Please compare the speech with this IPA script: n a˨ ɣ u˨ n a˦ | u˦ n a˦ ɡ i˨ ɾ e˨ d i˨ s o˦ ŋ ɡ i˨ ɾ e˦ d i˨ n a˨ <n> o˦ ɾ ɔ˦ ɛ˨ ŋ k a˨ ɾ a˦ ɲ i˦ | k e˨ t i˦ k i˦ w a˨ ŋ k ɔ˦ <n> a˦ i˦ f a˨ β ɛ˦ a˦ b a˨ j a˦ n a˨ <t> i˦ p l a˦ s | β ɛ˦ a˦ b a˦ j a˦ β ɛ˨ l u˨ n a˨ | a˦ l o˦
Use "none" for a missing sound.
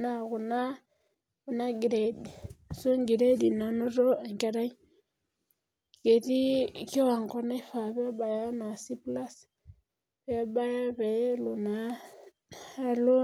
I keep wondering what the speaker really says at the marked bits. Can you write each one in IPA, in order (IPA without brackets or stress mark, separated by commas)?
n, n, s